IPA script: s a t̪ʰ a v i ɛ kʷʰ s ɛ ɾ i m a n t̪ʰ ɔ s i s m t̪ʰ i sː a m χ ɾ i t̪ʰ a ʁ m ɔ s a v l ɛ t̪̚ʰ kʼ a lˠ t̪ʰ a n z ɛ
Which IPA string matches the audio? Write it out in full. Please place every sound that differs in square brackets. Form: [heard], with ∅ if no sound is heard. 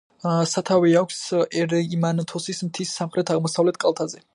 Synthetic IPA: s a t̪ʰ a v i [a] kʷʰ s ɛ ɾ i m a n t̪ʰ ɔ s i s m t̪ʰ i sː a m χ ɾ [ɛ] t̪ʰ a ʁ m ɔ s a v l ɛ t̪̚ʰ kʼ a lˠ t̪ʰ a [∅] z ɛ